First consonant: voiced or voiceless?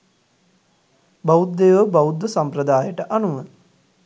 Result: voiced